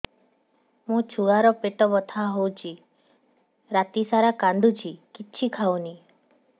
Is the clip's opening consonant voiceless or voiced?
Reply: voiced